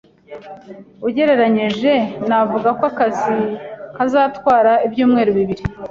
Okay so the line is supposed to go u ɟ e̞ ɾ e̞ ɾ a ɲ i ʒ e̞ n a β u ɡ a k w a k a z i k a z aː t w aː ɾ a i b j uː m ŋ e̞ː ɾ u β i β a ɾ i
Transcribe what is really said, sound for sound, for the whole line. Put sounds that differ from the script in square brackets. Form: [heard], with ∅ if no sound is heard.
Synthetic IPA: u ɟ e̞ ɾ e̞ ɾ a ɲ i ʒ e̞ n a [v] u ɡ a k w a k a z i k a z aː t w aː ɾ a i b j uː m ŋ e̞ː ɾ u β i β [i] ɾ i

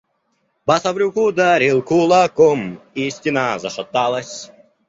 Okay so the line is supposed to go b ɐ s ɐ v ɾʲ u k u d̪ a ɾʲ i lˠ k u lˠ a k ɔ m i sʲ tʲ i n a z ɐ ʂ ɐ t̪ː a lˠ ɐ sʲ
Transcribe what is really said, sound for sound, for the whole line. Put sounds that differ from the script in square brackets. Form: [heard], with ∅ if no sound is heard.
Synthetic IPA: b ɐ s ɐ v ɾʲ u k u d̪ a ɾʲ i lˠ k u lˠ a k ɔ m i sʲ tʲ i n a z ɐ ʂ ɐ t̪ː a lˠ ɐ sʲ

